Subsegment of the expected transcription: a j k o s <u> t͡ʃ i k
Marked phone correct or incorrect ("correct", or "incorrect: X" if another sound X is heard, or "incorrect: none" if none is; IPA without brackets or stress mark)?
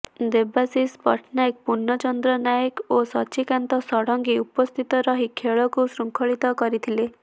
incorrect: ɔ